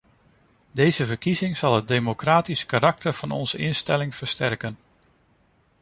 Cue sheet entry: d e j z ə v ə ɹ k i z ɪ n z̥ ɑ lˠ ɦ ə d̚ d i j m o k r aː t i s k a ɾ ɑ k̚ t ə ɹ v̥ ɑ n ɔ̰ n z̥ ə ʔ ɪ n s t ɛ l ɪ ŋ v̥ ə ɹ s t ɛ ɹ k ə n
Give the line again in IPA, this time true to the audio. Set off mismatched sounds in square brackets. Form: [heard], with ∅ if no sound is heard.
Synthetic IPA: d e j z ə v ə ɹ k i z ɪ [ŋ] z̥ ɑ lˠ ɦ ə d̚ d [e] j m o k r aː t i s k a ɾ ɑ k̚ t ə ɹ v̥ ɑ n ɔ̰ n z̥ ə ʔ ɪ n s t ɛ l ɪ ŋ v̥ ə ɹ s t ɛ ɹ k ə n

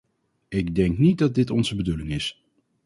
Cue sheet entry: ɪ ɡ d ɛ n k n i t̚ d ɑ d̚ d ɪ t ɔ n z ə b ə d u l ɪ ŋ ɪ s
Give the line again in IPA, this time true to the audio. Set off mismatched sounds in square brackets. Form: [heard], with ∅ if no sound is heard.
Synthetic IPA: ɪ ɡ d ɛ [ŋ] k n i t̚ d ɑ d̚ d ɪ t ɔ n z ə b ə d u l ɪ ŋ ɪ s

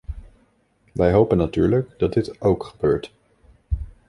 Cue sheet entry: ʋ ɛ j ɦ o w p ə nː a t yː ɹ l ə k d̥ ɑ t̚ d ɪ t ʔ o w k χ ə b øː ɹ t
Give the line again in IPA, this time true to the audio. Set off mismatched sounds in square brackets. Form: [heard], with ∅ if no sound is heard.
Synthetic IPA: ʋ ɛ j ɦ o w p ə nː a t yː ɹ l ə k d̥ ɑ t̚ d ɪ t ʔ o w k χ ə b øː ɹ t

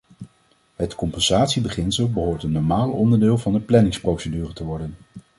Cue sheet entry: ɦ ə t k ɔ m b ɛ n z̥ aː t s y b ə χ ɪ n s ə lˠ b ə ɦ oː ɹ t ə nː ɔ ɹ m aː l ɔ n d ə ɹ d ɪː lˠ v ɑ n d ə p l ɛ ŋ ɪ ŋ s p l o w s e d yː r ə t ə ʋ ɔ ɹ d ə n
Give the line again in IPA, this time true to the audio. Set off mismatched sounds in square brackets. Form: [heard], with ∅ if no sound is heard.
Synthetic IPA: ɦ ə t k ɔ m [p] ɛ n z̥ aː t s [i] b ə χ ɪ n s ə lˠ b ə ɦ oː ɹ t ə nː ɔ ɹ m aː l ɔ n d ə ɹ d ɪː lˠ v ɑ n d ə p l ɛ [n] ɪ ŋ s p [r] o w s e d yː r ə t ə ʋ ɔ ɹ d ə n

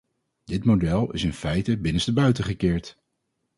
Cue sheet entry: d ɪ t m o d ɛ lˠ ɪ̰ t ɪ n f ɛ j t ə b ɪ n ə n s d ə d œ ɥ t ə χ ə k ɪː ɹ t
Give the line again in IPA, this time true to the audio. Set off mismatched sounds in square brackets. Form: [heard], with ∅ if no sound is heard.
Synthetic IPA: d ɪ t m o d ɛ lˠ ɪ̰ [s] ɪ n f ɛ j t ə b ɪ n ə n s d ə [b] œ ɥ t ə χ ə k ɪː ɹ t

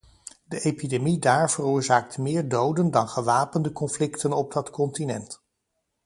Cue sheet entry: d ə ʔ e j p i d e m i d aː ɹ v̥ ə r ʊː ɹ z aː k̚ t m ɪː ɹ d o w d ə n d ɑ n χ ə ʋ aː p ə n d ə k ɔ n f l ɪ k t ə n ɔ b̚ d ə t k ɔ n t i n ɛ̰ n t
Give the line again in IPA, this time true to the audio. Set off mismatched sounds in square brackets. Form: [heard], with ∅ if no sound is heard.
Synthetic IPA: d ə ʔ e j p i d e m i d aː ɹ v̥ ə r ʊː ɹ z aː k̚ t m ɪː ɹ d o w d ə n d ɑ n χ ə ʋ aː p ə n d ə k ɔ n f l ɪ k t ə n ɔ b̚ d [ɑ] t k ɔ n t i n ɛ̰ n t

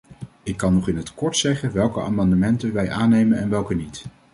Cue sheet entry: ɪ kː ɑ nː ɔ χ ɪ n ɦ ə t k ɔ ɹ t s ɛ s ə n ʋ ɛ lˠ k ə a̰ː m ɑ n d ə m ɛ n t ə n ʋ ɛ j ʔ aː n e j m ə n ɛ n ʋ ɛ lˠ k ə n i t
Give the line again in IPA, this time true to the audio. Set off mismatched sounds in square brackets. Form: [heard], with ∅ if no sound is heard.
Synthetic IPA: ɪ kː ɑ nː ɔ χ ɪ n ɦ ə t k ɔ ɹ t s ɛ [χ] ə n ʋ ɛ lˠ k ə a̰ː m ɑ n d ə m ɛ n t ə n ʋ ɛ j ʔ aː n e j m ə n ɛ n ʋ ɛ lˠ k ə n i t

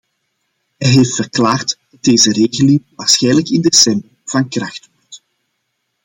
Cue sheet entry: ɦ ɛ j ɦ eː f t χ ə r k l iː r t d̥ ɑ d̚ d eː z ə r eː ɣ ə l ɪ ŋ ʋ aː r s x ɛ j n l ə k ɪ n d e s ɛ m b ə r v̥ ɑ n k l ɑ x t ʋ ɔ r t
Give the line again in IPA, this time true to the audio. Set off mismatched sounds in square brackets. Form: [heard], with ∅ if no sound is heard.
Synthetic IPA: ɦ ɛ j ɦ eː f t [f] ə r k l [aː] r t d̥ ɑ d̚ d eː z ə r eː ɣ ə l ɪ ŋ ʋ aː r s x ɛ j n l ə k ɪ n d e s ɛ m b ə r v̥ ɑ n k [r] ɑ x t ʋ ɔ r t

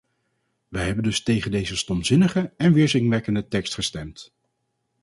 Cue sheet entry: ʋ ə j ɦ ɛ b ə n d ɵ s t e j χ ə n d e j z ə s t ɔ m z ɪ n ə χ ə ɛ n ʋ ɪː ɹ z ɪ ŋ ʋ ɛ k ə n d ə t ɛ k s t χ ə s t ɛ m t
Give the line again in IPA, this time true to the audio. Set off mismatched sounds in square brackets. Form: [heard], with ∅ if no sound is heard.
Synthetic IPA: ʋ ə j ɦ ɛ b ə n d ɵ s t e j χ ə n d e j z ə s t ɔ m z ɪ n ə χ ə ɛ n ʋ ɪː ɹ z ɪ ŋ ʋ ɛ k ə n d ə t ɛ k s t χ ə s t ɛ m t

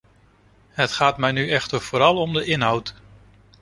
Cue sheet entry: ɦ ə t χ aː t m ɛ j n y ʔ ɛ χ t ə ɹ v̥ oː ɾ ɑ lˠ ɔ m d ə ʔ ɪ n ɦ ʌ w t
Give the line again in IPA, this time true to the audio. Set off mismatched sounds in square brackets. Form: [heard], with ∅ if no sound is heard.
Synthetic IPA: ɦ ə t χ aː t m ɛ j n y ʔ ɛ χ t ə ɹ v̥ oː ɾ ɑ lˠ ɔ m d ə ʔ ɪ n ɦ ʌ w t

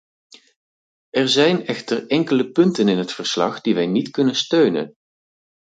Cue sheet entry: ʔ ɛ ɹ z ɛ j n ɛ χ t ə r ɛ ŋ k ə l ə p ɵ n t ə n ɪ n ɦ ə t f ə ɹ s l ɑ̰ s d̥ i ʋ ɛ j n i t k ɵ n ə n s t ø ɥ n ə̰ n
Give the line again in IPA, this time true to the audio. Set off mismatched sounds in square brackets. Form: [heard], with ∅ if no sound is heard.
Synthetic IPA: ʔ ɛ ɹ z ɛ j n ɛ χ t ə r ɛ ŋ k ə l ə p ɵ n t ə n ɪ n ɦ ə t f ə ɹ s l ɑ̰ [χ] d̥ i ʋ ɛ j n i t k ɵ n ə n s t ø ɥ n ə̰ n

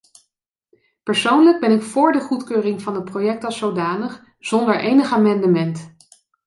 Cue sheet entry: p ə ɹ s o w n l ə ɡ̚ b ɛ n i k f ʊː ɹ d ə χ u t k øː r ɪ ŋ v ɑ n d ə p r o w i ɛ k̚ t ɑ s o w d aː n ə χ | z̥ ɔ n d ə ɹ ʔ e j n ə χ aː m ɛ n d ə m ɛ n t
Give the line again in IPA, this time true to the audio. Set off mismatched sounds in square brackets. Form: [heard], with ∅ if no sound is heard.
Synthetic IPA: p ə ɹ s o w n l ə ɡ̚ b ɛ n [ɪ] k f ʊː ɹ d ə χ u t k øː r ɪ ŋ v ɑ n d ə p r o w [j] ɛ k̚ t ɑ s o w d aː n ə χ | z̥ ɔ n d ə ɹ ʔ e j n ə χ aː m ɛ n d ə m ɛ n t

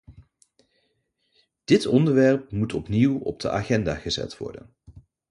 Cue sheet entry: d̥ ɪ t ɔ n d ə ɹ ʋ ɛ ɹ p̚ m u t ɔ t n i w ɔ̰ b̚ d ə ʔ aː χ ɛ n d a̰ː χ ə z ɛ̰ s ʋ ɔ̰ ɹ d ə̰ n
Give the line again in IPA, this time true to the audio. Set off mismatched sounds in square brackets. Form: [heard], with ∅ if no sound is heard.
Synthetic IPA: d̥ ɪ t ɔ n d ə ɹ ʋ ɛ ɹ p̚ m u t ɔ [p] n i w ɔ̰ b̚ d ə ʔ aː χ ɛ n d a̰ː χ ə z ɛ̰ [t] ʋ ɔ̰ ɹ d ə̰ n

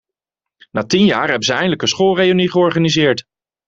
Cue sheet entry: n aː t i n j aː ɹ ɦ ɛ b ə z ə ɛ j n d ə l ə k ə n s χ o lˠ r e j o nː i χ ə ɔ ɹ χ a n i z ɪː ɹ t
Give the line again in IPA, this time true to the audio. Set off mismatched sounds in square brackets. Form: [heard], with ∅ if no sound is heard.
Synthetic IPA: n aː t i n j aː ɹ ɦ ɛ b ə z ə ɛ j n d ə l ə k ə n s χ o lˠ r e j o [n] i χ ə ɔ ɹ χ a n i z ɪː ɹ t

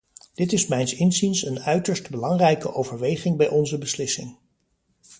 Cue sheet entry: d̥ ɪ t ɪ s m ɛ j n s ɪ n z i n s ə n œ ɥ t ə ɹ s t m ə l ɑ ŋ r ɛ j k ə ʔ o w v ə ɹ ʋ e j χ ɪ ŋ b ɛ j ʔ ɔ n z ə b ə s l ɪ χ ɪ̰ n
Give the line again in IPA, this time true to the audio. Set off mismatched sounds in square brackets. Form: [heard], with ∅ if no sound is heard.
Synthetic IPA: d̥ ɪ t ɪ s m ɛ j n s ɪ n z i n s ə n œ ɥ t ə ɹ s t [b] ə l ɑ ŋ r ɛ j k ə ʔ o w v ə ɹ ʋ e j χ ɪ ŋ b ɛ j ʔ ɔ n z ə b ə s l ɪ [s] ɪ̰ [ŋ]

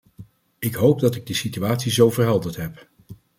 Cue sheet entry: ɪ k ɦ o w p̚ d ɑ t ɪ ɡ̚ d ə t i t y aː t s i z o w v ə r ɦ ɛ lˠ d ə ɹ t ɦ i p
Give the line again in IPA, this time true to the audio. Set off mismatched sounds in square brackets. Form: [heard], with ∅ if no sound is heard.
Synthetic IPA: ɪ k ɦ o w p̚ d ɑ t ɪ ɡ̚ d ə [s] i t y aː t s i z o w v ə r ɦ ɛ lˠ d ə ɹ t ɦ [ɛ] p

